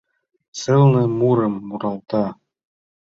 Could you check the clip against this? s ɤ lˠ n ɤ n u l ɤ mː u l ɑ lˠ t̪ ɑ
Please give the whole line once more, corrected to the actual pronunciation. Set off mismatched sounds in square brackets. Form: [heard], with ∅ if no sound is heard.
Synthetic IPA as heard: s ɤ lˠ n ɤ [m] u [ɾ] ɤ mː u [ɾ] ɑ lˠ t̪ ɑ